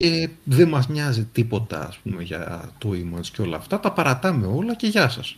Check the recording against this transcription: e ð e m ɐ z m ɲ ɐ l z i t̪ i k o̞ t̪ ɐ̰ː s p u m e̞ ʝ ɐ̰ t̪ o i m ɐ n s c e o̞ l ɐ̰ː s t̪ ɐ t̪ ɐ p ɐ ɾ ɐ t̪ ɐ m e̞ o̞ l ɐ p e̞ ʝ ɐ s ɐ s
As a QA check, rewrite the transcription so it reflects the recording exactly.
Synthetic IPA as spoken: e ð e m ɐ z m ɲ ɐ z i t̪ i p o̞ t̪ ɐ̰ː s p u m e̞ ʝ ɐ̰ t̪ o i m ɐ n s c e o̞ l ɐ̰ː f t̪ ɐ t̪ ɐ p ɐ ɾ ɐ t̪ ɐ m e̞ o̞ l ɐ c e̞ ʝ ɐ s ɐ s